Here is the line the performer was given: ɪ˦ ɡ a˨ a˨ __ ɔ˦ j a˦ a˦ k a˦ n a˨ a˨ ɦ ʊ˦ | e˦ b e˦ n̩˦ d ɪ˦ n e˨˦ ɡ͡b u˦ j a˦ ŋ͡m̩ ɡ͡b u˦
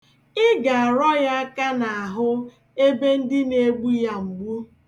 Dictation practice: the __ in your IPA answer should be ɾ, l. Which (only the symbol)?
ɾ